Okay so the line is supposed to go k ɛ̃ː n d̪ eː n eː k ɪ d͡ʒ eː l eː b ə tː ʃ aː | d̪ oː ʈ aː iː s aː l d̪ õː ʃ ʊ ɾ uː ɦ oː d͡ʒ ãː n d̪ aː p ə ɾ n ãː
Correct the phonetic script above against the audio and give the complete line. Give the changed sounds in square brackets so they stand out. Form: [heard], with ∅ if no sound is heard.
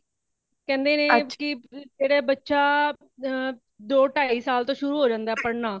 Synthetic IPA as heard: k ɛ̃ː n d̪ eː n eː k ɪ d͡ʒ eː [ɽ] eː b ə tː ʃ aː | d̪ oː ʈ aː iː s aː l [t̪] õː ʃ ʊ ɾ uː ɦ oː d͡ʒ ãː n d̪ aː p ə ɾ n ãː